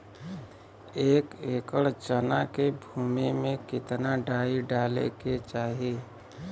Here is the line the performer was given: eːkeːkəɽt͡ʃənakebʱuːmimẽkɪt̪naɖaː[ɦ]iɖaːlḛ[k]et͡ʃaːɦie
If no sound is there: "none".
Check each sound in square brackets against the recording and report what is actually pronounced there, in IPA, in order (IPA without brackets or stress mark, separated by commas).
none, k